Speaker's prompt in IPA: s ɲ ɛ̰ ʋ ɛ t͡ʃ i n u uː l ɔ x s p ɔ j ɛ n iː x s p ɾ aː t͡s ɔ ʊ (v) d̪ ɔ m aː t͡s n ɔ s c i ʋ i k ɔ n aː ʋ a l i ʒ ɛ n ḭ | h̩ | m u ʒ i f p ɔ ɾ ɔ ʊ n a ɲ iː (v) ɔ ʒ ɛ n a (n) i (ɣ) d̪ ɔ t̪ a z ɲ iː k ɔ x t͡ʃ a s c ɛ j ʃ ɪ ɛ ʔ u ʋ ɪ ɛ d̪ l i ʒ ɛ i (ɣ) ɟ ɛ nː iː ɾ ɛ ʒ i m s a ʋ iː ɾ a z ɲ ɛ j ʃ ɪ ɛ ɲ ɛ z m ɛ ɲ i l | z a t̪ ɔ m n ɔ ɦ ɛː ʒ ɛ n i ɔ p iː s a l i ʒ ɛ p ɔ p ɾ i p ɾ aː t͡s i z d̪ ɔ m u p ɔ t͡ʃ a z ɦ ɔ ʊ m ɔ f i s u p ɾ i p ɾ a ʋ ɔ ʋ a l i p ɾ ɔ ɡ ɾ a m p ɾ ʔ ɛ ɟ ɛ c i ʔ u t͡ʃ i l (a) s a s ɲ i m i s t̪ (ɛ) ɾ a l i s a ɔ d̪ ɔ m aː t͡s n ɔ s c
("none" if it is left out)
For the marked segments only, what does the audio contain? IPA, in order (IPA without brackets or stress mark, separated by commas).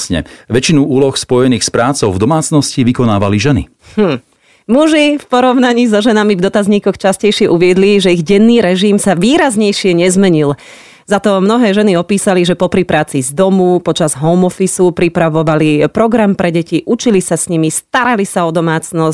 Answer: v, z, m, v, ɣ, i, a